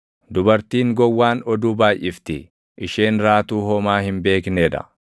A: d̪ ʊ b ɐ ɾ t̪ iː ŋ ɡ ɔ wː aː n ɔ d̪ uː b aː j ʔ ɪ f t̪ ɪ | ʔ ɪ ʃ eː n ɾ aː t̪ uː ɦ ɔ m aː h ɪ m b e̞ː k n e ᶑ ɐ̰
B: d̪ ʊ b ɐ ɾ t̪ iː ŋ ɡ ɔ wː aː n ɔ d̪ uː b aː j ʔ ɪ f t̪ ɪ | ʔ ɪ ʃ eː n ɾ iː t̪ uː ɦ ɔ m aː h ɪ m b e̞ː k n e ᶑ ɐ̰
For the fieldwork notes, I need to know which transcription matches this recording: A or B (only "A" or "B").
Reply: A